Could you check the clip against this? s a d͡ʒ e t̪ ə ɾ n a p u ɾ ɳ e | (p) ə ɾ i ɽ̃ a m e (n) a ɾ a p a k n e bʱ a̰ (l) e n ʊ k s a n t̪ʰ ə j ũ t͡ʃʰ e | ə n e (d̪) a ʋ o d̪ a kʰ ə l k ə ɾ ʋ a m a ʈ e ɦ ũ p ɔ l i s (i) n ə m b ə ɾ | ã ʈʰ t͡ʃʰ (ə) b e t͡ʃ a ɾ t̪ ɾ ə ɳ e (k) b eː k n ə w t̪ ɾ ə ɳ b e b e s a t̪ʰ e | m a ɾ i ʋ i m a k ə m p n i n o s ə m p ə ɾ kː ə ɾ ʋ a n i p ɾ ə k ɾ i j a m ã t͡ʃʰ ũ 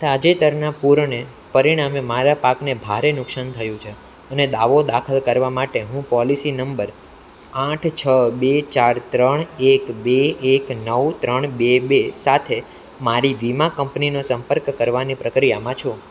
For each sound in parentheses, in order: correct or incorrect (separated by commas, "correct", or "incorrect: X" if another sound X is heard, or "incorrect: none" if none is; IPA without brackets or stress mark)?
correct, incorrect: m, incorrect: ɾ, correct, correct, correct, correct